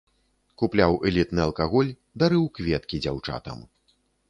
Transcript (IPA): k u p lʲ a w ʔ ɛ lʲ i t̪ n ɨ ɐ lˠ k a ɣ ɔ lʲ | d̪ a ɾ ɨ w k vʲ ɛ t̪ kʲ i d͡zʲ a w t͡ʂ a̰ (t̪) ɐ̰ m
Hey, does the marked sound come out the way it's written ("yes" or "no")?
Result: yes